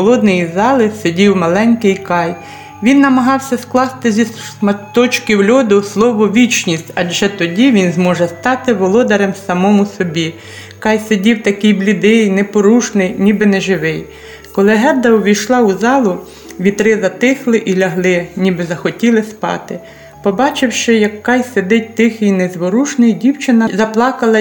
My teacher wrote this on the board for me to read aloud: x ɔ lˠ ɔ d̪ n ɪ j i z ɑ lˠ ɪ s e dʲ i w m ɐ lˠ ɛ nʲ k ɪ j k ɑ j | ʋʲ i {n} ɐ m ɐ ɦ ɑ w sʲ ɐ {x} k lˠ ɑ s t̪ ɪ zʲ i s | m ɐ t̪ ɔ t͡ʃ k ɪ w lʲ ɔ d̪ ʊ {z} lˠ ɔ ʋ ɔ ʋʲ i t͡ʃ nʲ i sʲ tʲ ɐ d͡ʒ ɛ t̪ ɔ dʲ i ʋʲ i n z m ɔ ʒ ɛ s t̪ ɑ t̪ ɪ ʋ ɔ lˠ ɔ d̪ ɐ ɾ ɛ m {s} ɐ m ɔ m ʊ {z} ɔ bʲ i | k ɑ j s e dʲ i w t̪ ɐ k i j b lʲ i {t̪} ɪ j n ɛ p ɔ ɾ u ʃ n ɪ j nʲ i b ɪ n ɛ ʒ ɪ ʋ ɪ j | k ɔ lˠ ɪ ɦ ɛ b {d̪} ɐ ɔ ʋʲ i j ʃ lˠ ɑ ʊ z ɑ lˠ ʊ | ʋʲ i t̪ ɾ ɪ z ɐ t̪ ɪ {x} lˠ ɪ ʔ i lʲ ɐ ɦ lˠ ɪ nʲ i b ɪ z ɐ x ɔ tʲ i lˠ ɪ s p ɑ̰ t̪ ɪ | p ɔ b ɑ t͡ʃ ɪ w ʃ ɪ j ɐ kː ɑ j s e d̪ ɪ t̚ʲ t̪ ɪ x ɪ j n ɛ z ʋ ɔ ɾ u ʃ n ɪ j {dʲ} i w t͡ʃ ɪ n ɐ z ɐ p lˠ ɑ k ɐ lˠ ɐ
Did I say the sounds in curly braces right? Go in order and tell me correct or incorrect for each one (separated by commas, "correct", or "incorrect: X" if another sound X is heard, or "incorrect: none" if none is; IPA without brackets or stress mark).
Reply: incorrect: nː, incorrect: s, incorrect: s, correct, incorrect: s, incorrect: d̪, correct, correct, correct